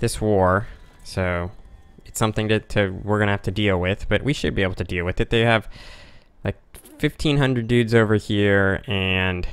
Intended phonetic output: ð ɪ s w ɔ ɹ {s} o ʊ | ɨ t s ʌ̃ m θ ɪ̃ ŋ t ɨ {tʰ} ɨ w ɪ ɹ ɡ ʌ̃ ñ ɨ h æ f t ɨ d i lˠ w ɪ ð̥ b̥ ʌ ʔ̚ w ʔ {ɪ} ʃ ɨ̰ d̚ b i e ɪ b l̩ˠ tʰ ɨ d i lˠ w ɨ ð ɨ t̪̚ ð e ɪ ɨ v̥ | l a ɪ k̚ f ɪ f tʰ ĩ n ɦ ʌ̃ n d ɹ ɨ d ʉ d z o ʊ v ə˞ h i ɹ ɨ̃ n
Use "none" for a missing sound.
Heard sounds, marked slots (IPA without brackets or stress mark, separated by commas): s, tʰ, i